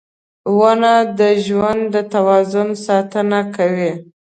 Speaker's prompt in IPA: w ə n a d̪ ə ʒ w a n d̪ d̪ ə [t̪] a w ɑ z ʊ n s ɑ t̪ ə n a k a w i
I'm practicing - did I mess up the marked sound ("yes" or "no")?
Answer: no